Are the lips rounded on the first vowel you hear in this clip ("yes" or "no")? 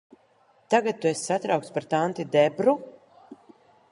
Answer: no